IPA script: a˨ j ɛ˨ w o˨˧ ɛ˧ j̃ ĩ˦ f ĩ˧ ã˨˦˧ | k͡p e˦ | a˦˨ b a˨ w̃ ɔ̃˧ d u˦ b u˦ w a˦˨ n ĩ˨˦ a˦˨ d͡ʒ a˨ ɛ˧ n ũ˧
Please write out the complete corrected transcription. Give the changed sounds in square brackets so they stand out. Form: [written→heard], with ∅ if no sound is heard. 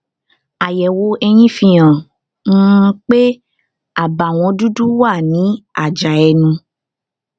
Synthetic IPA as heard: a˨ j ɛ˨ w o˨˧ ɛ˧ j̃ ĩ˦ f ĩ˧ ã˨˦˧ | k͡p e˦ | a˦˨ b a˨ w̃ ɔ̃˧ d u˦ [b→d] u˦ w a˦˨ n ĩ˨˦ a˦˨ d͡ʒ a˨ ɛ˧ n ũ˧

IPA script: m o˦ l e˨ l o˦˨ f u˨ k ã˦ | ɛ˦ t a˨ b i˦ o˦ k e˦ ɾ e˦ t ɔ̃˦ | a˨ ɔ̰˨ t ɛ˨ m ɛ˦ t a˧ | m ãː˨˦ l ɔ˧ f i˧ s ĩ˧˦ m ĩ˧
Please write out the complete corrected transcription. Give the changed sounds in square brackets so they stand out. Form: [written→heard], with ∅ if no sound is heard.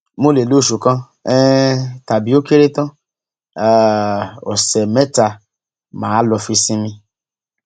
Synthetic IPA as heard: m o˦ l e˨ l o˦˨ [f→ʃ] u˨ k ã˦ | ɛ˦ t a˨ b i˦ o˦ k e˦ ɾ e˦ t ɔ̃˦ | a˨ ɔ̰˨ [t→s] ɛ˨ m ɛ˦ t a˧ | m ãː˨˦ l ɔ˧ f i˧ s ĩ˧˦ m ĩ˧

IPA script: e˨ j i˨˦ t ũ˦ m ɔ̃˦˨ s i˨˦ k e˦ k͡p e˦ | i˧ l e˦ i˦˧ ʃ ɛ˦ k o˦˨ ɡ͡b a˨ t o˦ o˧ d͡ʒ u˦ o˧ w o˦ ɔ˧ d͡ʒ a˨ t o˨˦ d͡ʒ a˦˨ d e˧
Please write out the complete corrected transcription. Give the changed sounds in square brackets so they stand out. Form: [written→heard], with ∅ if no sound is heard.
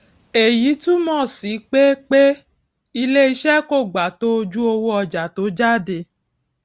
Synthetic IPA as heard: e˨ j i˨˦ t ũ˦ m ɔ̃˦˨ s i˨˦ [k→k͡p] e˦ k͡p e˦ | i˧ l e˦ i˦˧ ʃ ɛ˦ k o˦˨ ɡ͡b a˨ t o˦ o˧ d͡ʒ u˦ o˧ w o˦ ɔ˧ d͡ʒ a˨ t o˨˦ d͡ʒ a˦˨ d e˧

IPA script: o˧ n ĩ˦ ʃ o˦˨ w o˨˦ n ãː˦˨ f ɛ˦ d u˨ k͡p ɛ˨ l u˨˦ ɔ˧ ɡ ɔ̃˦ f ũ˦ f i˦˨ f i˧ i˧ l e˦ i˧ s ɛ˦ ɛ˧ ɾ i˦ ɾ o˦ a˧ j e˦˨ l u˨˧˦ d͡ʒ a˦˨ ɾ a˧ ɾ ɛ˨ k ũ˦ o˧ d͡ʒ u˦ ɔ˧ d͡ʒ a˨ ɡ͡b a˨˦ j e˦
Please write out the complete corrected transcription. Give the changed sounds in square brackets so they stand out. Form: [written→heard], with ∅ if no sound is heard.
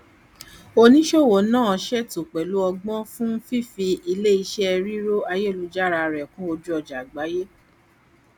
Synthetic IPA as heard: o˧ n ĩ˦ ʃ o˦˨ w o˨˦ n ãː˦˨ [f→ʃ] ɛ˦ [d→t] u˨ k͡p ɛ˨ l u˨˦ ɔ˧ [ɡ→ɡ͡b] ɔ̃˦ f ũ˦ f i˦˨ f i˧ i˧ l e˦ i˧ [s→ʃ] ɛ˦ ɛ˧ ɾ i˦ ɾ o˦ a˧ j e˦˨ l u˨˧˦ d͡ʒ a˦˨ ɾ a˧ ɾ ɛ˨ k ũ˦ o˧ d͡ʒ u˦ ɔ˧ d͡ʒ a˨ ɡ͡b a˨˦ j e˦

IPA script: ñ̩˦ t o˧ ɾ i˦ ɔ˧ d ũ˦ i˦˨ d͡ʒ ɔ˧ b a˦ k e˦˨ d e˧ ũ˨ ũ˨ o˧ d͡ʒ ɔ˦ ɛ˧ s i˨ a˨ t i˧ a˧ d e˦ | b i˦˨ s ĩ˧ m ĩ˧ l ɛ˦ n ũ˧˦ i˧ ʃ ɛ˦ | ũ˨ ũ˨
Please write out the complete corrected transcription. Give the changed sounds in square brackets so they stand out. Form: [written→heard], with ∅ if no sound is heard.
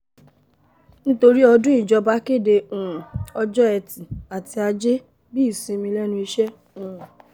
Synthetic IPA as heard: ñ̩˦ t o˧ ɾ i˦ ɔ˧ d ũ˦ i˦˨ d͡ʒ ɔ˧ b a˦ k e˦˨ d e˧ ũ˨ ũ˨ [o˧→ɔ˧] d͡ʒ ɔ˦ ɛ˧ [s→t] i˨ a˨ t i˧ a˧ [d→d͡ʒ] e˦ | b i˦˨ s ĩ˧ m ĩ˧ l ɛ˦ n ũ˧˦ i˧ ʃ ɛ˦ | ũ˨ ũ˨

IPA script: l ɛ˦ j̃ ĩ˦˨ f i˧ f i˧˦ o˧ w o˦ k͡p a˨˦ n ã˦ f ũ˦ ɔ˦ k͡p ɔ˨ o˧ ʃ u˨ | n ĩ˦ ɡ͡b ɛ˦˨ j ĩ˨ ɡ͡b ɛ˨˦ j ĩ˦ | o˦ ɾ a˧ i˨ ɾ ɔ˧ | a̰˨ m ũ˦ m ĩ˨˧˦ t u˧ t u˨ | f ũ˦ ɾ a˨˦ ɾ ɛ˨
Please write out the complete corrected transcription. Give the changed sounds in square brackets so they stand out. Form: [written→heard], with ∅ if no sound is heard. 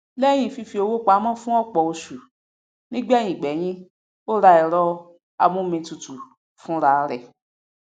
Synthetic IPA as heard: l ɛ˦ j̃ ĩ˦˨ f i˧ f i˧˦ o˧ w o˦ k͡p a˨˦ [n→m] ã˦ f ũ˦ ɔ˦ k͡p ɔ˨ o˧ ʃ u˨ | n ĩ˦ ɡ͡b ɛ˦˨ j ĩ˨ ɡ͡b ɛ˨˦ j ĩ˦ | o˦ ɾ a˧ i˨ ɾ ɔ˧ | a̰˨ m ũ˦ m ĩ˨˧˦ t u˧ t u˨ | f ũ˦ ɾ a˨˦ ɾ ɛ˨

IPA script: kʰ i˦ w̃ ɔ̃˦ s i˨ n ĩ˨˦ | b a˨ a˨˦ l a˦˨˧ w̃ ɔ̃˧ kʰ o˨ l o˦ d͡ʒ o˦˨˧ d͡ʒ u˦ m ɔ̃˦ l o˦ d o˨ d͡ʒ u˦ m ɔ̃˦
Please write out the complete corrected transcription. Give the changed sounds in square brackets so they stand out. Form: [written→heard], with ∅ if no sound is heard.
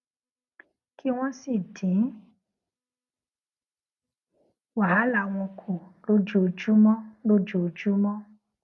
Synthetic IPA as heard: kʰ i˦ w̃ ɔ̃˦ s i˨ [n→d] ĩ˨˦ | [b→w] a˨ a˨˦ l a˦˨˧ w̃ ɔ̃˧ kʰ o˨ l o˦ d͡ʒ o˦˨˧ d͡ʒ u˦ m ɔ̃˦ l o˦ [d→d͡ʒ] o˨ d͡ʒ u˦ m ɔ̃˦

